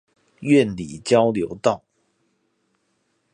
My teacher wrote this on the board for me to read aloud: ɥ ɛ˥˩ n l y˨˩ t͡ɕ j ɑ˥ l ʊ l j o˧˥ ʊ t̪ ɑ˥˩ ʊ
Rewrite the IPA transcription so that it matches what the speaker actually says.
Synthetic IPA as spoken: ɥ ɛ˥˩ n l i˨˩ t͡ɕ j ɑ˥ ʊ l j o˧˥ ʊ t̪ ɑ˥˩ ʊ

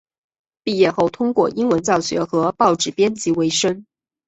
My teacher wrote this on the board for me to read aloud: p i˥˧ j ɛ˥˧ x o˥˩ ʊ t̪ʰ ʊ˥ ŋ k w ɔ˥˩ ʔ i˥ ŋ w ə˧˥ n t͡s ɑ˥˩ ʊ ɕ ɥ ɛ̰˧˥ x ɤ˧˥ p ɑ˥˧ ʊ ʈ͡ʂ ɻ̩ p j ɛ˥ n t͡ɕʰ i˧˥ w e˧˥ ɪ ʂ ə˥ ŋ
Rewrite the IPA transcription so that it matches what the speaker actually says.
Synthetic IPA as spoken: p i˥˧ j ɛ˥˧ x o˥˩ ʊ t̪ʰ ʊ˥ ŋ k w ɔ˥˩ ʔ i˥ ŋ w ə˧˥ n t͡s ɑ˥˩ ʊ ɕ ɥ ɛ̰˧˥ x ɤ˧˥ p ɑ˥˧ ʊ ʈ͡ʂ ɻ̩ p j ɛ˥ n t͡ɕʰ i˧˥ w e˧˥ ɪ ʂ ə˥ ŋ

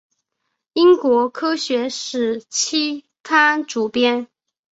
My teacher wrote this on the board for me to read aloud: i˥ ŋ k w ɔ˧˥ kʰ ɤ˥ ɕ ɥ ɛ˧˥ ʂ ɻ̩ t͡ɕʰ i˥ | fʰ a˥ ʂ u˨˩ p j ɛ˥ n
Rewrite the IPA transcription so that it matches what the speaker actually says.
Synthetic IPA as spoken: i˥ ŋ k w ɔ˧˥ kʰ ɤ˥ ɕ ɥ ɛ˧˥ ʂ ɻ̩ t͡ɕʰ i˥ | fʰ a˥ ʈ͡ʂ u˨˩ p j ɛ˥ n

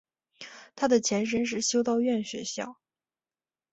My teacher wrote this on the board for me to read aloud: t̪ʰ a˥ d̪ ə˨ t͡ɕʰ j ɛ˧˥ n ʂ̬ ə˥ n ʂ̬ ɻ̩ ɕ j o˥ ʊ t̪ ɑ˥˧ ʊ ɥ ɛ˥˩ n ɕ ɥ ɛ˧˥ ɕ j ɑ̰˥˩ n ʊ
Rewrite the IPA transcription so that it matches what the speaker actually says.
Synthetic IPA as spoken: t̪ʰ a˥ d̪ ə˨ t͡ɕʰ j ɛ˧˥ n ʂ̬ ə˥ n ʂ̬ ɻ̩ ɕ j o˥ ʊ t̪ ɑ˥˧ ʊ ɥ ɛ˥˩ n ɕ ɥ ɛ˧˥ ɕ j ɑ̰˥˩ ʊ

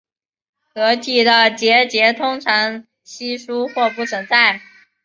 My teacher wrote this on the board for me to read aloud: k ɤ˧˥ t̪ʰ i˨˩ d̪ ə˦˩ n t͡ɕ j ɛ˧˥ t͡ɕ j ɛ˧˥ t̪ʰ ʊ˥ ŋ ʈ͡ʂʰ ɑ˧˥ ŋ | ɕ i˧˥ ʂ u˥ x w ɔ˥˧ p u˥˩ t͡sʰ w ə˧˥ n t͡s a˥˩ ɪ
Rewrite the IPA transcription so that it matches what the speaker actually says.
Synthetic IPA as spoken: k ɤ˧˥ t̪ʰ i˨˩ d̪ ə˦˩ t͡ɕ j ɛ˧˥ t͡ɕ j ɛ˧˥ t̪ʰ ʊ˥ ŋ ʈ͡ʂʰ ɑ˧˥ ŋ | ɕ i˥ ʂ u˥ x w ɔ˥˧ p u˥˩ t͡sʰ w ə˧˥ n t͡s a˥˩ ɪ

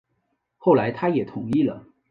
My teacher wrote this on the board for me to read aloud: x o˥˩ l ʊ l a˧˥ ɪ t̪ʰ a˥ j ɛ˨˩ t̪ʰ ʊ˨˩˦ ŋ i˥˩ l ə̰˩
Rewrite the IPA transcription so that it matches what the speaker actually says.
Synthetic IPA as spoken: x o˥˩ ʊ l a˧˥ ɪ t̪ʰ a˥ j ɛ˨˩ t̪ʰ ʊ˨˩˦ ŋ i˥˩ l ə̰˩

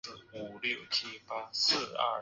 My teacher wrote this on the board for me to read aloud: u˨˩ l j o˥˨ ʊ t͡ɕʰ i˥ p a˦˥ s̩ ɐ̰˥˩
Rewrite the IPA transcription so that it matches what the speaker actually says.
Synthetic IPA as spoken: u˨˩ l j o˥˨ ʊ t͡ɕʰ i˥ p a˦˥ s̩ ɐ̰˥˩

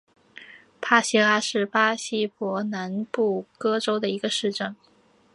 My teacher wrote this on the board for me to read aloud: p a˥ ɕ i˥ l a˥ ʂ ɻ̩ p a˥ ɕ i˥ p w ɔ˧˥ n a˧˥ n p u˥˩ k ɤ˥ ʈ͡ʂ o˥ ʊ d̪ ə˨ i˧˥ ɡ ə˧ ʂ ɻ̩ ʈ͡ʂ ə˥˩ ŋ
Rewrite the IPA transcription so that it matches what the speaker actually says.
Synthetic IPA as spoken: pʰ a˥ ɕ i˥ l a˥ ʂ ɻ̩ p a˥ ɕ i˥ p w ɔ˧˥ n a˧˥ n p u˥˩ k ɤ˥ ʈ͡ʂ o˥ ʊ d̪ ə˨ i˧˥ ɡ ə˧ ʂ ɻ̩ ʈ͡ʂ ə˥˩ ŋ

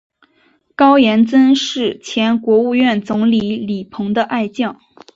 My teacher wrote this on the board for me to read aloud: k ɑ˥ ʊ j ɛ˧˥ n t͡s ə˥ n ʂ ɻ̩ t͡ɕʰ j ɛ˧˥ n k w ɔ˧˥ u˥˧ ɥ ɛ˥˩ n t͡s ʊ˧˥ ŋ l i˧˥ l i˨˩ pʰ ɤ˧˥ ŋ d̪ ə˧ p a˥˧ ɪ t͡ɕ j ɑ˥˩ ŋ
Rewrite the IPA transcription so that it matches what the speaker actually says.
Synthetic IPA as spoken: k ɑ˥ ʊ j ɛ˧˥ n t͡s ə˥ n ʂ ɻ̩ t͡ɕʰ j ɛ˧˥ n k w ɔ˧˥ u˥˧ ɥ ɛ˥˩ n t͡s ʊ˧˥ ŋ l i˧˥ l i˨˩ pʰ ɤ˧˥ ŋ d̪ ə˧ ʔ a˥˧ ɪ t͡ɕ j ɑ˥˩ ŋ

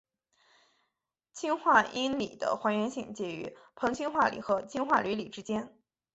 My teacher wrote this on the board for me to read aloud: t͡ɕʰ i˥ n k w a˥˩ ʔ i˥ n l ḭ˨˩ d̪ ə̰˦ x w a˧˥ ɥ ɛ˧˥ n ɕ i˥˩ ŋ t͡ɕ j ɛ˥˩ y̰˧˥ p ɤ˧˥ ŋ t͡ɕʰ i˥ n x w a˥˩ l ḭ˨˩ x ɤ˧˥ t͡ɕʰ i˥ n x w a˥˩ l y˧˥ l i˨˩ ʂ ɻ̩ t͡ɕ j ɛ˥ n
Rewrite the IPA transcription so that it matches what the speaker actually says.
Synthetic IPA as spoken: t͡ɕʰ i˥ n x w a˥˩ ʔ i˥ n l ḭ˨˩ d̪ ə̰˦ x w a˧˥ ɥ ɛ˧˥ n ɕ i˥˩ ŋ t͡ɕ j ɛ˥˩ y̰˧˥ pʰ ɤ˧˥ ŋ t͡ɕʰ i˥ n x w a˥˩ l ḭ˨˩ x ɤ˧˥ t͡ɕʰ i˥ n x w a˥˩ l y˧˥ l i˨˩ ʈ͡ʂ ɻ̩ t͡ɕ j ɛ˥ n

